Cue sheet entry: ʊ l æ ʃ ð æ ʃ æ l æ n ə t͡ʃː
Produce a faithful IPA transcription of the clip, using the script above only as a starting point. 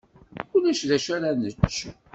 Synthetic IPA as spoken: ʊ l æ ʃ ð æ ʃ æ ɾ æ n ə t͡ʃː